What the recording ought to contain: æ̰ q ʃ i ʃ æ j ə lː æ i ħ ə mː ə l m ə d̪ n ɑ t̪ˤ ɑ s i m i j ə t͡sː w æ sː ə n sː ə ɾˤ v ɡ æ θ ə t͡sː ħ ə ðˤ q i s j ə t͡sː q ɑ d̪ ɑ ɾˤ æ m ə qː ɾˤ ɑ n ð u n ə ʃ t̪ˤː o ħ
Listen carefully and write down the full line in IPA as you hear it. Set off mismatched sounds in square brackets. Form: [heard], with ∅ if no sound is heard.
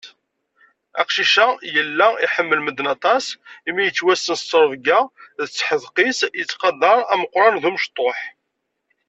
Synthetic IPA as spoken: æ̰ q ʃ i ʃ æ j ə lː æ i ħ ə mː ə l m ə d̪ n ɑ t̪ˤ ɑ s i m i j ə t͡sː w æ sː ə n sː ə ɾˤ v ɡ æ [ð] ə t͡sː ħ ə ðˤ q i s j ə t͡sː q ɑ d̪ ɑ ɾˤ æ m ə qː ɾˤ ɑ n ð u [m] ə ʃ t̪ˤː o ħ